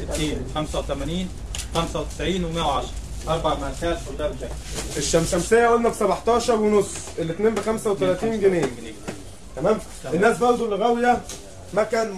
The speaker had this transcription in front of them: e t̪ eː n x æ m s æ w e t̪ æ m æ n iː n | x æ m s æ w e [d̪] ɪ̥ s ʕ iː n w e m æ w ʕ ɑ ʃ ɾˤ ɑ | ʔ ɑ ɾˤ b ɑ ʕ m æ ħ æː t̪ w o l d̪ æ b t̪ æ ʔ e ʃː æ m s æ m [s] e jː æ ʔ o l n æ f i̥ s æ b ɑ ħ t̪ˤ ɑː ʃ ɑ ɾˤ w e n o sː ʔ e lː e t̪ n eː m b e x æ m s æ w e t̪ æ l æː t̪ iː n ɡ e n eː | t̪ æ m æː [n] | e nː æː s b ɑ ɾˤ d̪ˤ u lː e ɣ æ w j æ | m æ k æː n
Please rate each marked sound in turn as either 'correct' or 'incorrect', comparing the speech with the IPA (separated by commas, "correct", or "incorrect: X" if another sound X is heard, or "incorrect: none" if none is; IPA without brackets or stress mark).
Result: incorrect: t̪, correct, incorrect: m